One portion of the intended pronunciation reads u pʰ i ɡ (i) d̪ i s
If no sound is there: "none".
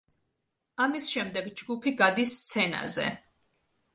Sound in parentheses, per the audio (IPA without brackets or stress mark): a